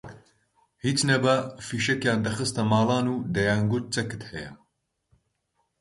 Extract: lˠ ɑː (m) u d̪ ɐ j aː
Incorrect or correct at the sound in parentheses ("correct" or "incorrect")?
incorrect